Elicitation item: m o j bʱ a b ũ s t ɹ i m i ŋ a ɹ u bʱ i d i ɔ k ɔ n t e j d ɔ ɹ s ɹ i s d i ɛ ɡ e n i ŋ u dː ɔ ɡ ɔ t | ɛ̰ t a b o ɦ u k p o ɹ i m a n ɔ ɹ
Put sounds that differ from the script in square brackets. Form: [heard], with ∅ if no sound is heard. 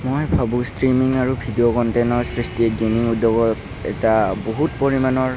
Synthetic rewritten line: m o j bʱ a b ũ s t ɹ i m i ŋ a ɹ u bʱ i d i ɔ k ɔ n t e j [n] ɔ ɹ s ɹ i s [t] i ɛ ɡ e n i ŋ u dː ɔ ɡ ɔ t | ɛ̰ t a b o ɦ u [t] p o ɹ i m a n ɔ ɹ